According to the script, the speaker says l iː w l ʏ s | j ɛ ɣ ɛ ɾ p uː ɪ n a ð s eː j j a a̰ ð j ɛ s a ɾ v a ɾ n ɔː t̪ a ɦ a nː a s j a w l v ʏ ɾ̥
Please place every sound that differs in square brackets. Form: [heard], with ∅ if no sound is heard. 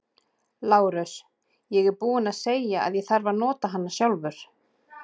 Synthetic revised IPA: l [aː] w [ɾ] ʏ s | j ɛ ɣ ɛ ɾ p uː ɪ n a ð s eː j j a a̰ ð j ɛ [θ] a ɾ v a ɾ n ɔː t̪ a ɦ a nː a s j a w l v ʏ ɾ̥